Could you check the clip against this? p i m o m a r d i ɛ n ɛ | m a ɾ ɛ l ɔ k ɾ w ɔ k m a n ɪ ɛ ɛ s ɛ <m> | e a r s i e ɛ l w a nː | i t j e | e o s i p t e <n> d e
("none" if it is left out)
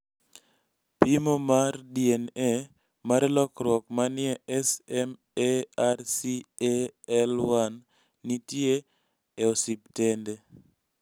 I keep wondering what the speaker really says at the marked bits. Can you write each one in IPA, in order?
m, n

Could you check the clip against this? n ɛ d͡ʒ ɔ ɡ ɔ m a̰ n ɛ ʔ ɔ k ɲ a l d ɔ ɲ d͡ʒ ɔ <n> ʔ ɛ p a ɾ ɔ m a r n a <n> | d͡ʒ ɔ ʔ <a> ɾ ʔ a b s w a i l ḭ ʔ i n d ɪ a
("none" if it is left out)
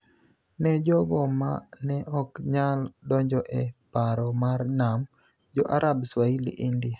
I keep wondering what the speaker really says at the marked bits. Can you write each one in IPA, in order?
none, m, a

